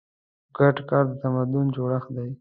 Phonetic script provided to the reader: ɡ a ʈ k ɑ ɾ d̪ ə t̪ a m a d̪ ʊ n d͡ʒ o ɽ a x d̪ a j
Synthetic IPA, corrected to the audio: ɡ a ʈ k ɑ ɾ d̪ ə t̪ a m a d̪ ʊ n d͡ʒ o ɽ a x d̪ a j